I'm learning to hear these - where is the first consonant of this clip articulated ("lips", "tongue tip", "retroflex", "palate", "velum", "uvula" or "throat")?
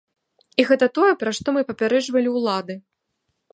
velum